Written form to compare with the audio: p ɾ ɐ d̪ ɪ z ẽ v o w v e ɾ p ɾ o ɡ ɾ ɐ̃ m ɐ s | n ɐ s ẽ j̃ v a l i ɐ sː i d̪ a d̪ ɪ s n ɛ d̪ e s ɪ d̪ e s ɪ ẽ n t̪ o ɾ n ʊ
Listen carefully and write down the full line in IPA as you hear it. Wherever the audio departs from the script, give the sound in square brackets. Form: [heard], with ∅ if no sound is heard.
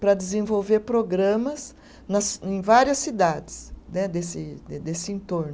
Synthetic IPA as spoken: p ɾ ɐ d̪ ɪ z ẽ v o w v e ɾ p ɾ o ɡ ɾ ɐ̃ m ɐ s | n ɐ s ẽ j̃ v a [ɾ] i ɐ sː i d̪ a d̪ ɪ s n ɛ d̪ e s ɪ d̪ e s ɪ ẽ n t̪ o ɾ n ʊ